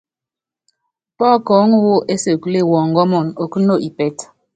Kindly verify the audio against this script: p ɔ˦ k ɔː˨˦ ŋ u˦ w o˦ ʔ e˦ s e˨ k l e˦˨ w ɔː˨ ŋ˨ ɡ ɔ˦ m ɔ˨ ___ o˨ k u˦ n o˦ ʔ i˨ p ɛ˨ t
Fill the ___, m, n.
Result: n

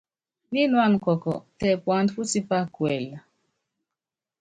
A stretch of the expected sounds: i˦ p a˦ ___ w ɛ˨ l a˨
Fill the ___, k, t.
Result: k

